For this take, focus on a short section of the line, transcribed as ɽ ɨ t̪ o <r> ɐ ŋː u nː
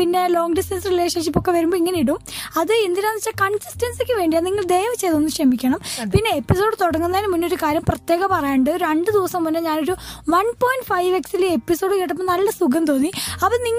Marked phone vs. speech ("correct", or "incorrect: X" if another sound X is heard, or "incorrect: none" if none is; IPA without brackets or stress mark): incorrect: ɽ